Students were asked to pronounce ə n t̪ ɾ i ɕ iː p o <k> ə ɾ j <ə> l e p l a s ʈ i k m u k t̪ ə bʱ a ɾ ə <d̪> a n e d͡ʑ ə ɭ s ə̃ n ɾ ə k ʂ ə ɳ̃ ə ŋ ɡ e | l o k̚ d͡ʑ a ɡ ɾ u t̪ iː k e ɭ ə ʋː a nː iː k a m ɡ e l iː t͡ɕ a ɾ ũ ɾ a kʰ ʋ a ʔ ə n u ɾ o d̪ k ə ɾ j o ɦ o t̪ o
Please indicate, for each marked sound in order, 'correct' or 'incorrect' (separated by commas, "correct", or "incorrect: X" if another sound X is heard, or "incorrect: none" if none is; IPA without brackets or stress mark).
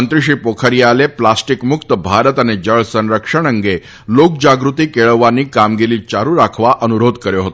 incorrect: kʰ, incorrect: a, incorrect: t̪